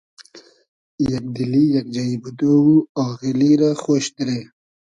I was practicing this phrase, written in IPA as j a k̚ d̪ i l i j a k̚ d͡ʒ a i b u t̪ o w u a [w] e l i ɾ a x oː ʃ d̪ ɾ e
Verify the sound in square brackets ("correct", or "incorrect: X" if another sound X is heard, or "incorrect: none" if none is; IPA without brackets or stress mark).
incorrect: ɣ